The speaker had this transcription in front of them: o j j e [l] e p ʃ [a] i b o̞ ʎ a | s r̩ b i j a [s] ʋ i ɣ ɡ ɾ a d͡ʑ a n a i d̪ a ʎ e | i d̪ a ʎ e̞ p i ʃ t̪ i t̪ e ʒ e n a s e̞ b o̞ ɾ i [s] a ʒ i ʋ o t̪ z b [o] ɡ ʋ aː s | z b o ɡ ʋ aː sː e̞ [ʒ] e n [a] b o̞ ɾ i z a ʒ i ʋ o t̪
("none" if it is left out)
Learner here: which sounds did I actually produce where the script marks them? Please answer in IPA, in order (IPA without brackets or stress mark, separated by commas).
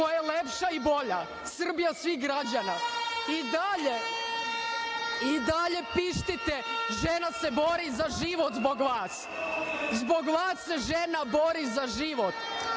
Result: l, a, s, z, o, ʒ, a